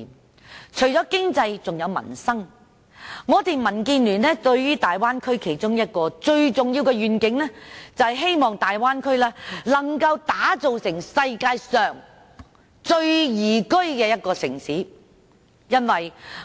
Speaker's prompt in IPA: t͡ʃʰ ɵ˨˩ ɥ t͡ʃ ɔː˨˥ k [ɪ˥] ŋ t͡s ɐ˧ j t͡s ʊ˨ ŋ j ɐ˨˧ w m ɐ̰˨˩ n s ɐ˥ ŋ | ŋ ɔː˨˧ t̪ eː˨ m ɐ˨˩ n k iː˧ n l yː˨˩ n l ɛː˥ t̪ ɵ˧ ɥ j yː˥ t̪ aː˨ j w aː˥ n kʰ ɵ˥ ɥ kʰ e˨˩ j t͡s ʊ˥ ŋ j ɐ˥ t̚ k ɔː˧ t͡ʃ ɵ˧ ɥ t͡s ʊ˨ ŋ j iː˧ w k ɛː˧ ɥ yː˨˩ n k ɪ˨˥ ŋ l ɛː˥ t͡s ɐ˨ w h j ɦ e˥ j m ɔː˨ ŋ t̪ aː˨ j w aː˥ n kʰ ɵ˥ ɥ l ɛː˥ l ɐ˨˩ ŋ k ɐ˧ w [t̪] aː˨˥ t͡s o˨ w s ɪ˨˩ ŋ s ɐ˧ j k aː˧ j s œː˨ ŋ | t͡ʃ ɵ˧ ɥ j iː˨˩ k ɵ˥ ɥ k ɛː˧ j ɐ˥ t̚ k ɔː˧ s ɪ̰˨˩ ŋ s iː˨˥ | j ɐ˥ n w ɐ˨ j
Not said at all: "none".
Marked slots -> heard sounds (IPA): ɪ˥, t̪

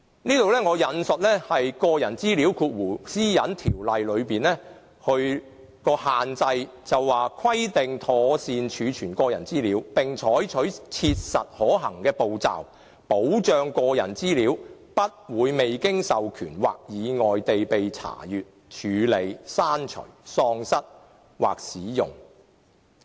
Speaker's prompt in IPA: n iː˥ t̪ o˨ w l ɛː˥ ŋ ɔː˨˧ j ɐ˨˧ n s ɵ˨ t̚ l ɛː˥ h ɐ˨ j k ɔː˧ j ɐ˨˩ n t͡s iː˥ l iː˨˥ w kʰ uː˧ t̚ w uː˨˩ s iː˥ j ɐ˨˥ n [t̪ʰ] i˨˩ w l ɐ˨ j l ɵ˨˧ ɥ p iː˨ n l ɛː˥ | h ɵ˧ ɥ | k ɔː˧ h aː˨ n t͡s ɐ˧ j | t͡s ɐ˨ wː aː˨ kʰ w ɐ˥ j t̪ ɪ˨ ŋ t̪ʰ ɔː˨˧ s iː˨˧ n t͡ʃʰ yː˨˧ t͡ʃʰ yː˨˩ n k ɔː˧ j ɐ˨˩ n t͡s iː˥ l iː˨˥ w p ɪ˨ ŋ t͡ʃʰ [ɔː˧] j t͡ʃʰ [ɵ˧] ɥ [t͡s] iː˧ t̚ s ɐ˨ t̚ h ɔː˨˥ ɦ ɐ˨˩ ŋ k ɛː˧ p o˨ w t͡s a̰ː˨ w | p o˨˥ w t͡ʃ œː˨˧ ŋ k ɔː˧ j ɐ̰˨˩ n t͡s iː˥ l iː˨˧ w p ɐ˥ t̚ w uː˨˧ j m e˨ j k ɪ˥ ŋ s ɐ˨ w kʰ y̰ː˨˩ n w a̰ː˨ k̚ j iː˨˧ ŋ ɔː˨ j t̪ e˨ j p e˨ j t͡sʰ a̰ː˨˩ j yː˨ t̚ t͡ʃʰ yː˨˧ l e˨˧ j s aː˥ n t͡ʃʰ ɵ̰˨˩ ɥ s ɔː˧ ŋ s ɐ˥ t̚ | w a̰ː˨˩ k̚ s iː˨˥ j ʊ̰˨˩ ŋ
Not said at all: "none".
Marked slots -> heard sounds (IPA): t̪ʰ, ɔː˨˥, ɵ˨˥, t͡sʰ

